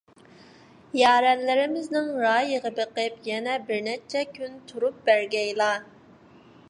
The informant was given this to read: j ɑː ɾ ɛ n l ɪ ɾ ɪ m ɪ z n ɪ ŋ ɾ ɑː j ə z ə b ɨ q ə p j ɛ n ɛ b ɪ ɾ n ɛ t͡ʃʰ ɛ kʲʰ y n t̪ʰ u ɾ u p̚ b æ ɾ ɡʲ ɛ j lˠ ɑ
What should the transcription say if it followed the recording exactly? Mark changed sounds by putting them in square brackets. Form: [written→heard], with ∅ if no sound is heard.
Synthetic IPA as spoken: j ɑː ɾ ɛ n l ɪ ɾ ɪ m ɪ z n ɪ ŋ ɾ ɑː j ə [z→ʁ] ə b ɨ q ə p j ɛ n ɛ b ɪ ɾ n ɛ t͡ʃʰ ɛ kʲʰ y n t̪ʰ u ɾ u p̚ b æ ɾ ɡʲ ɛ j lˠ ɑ